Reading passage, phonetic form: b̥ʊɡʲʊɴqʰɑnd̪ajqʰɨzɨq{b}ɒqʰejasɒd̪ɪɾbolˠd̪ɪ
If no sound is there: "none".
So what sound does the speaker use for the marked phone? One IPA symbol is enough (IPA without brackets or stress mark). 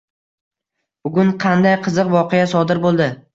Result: v